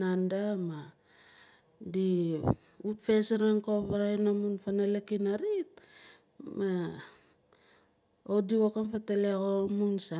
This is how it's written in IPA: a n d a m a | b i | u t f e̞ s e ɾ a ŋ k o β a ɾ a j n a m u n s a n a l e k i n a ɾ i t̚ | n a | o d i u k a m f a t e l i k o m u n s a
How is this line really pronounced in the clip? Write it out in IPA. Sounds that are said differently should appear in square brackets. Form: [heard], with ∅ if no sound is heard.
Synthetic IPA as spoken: a n d a m a | [d] i | u t f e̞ s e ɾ a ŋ k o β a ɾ a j n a m u n [f] a n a l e k i n a ɾ i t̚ | [m] a | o d i [o] k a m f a t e l [e] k o m u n s a